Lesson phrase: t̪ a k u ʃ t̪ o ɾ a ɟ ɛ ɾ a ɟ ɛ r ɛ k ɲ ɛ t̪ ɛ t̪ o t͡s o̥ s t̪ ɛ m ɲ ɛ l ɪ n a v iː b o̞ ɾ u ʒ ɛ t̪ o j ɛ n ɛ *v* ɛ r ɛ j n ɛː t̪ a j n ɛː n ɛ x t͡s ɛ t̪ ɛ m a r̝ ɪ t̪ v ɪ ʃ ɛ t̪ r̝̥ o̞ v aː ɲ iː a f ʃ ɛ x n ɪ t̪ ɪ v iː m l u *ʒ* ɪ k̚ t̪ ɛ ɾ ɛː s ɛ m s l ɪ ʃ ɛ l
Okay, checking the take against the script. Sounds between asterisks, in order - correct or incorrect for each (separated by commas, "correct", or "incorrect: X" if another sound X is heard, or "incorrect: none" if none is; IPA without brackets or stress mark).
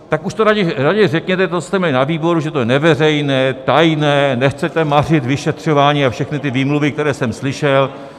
correct, incorrect: v